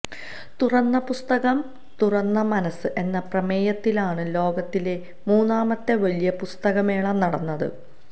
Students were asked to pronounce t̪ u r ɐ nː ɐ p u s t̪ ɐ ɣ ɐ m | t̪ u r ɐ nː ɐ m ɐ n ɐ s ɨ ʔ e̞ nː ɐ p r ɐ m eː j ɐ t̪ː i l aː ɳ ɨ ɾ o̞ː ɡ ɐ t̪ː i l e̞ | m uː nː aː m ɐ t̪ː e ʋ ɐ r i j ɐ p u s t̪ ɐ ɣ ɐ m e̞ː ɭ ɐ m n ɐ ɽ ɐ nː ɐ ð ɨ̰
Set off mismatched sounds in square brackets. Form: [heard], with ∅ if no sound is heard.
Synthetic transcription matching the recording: t̪ u r ɐ nː ɐ p u s t̪ ɐ ɣ ɐ m | t̪ u r ɐ nː ɐ m ɐ n ɐ s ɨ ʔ e̞ nː ɐ p r ɐ m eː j ɐ t̪ː i l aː ɳ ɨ [l] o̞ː ɡ ɐ t̪ː i l e̞ | m uː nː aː m ɐ t̪ː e ʋ ɐ [l] i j ɐ p u s t̪ ɐ ɣ ɐ m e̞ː ɭ ɐ m n ɐ ɽ ɐ nː ɐ ð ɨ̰